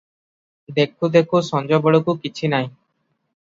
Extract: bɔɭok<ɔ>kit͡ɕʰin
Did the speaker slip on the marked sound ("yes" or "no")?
yes